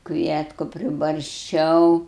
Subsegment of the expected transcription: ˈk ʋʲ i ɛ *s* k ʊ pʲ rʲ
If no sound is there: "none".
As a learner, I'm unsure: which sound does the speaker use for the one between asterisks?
t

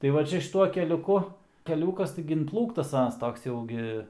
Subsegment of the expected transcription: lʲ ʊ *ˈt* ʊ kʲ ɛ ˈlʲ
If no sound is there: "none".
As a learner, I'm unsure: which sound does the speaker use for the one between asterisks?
k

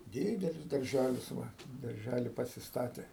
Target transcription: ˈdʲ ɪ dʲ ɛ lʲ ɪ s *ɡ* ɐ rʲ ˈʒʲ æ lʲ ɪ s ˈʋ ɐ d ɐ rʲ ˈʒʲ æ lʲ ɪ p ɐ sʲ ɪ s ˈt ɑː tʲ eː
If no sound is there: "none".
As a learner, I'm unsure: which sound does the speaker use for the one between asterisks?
d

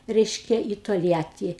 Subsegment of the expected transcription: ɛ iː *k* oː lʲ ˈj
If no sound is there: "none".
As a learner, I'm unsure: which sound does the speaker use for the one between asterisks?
t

